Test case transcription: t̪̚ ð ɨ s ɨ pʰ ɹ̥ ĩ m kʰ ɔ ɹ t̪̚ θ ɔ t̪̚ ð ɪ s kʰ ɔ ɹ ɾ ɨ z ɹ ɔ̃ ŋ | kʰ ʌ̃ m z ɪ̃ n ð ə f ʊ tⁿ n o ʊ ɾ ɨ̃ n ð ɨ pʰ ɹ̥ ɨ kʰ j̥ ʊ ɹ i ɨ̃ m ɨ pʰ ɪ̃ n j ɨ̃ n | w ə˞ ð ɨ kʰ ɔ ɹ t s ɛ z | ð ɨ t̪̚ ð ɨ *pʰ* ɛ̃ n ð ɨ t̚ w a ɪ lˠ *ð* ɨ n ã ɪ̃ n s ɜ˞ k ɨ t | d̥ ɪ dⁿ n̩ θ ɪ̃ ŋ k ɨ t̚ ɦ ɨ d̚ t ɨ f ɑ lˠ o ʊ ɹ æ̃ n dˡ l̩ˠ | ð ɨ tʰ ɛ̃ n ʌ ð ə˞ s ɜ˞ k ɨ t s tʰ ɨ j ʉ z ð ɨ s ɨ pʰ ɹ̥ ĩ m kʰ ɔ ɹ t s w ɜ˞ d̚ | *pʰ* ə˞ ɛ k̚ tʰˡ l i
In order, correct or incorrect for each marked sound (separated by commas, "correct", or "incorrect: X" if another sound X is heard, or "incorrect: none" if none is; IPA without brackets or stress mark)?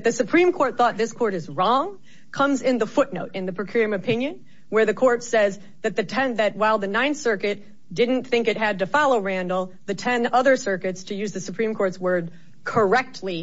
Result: incorrect: tʰ, correct, incorrect: kʰ